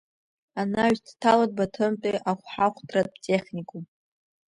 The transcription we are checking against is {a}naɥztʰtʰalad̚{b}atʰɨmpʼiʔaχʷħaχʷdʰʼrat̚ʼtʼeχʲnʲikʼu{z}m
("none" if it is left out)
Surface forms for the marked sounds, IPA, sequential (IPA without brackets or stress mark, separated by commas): a, b, none